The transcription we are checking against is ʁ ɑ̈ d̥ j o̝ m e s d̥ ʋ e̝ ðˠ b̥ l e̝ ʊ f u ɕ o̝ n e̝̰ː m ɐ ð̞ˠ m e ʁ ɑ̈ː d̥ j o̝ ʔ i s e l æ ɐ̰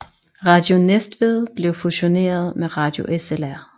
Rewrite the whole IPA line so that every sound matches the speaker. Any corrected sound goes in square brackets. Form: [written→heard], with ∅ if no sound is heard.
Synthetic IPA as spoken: ʁ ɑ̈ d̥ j o̝ [m→n] e s d̥ ʋ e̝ ðˠ b̥ l e̝ ʊ f u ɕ o̝ n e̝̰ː [m→∅] ɐ ð̞ˠ m e ʁ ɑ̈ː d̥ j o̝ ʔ [i→e] s e l æ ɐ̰